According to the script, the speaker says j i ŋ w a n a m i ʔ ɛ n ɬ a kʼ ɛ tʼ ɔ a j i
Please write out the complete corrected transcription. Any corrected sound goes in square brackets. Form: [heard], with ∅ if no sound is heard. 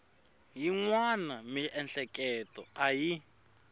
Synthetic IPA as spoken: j i ŋ w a n a m i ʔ ɛ n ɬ [ɛ] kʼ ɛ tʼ ɔ a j i

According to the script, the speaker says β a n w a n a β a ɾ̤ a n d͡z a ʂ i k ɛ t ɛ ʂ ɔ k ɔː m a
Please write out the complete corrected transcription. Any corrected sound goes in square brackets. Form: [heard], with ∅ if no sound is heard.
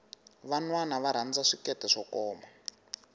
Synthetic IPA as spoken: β a n w a n a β a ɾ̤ a n d͡z a ʂ i k ɛ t ɛ ʂ ɔ k ɔː m a

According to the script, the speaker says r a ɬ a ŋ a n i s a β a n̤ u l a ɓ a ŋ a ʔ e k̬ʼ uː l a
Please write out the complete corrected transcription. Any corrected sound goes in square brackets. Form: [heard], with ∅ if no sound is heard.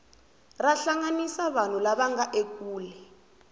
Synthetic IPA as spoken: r a ɬ a ŋ a n i s a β a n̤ u l a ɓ a ŋ a ʔ e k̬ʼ uː l [ɛ]

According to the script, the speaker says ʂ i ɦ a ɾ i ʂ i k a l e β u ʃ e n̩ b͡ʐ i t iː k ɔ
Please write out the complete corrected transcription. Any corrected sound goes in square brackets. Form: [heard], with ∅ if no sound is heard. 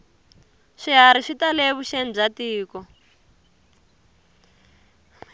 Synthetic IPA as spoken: ʂ i ɦ a ɾ i ʂ i [t] a l e β u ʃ e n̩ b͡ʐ [a] t iː k ɔ

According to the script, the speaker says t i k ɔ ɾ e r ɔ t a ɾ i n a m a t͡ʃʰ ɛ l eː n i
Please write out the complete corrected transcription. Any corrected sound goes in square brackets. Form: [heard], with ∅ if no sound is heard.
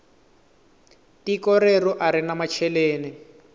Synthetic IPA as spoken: t i k ɔ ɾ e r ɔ [ʔ] a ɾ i n a m a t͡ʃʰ ɛ l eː n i

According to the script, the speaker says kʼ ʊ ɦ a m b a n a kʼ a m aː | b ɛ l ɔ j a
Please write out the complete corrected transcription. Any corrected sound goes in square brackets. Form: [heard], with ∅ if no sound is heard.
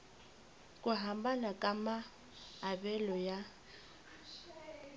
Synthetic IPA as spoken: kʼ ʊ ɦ a m b a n a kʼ a m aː | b ɛ l ɔ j a

